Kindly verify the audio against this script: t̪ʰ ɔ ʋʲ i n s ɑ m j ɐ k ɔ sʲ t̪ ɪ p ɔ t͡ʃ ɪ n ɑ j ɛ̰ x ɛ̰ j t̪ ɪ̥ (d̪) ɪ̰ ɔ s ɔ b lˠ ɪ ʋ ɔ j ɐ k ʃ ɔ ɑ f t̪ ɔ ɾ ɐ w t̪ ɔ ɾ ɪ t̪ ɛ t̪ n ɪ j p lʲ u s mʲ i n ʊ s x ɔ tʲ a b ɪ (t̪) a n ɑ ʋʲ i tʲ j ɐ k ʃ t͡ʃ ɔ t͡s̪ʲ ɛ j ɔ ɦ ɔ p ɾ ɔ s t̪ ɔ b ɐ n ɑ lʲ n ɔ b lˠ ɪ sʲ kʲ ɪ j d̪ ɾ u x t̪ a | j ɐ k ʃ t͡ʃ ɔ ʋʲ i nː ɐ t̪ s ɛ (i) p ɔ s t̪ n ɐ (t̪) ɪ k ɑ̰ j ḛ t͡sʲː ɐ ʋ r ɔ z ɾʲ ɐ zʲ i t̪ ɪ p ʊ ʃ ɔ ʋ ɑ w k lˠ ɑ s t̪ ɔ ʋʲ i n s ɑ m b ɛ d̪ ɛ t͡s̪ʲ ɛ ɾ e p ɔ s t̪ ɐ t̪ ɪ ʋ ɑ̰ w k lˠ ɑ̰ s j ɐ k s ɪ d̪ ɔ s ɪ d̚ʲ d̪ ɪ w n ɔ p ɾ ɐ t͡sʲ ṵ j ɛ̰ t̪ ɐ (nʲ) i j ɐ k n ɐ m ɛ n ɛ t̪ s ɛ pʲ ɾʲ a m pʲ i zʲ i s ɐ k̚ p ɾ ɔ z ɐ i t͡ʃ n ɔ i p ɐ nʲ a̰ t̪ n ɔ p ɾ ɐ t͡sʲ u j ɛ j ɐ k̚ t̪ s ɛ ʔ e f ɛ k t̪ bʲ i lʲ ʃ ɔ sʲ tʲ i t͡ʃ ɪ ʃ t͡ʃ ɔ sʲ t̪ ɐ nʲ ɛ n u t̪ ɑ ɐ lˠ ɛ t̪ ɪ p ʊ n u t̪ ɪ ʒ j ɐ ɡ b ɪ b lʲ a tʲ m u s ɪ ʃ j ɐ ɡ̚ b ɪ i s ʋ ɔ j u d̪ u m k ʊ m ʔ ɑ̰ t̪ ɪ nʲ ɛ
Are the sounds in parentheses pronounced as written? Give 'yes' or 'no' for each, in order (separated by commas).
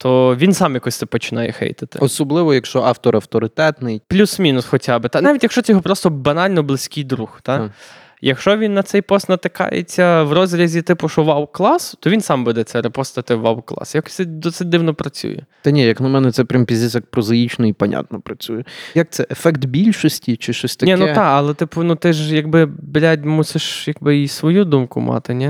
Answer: no, yes, no, yes, yes